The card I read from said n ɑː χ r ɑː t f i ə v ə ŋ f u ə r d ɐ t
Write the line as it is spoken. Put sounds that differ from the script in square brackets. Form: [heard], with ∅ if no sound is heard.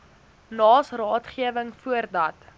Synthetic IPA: n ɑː [s] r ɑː t [χ] i ə v ə ŋ f u ə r d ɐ t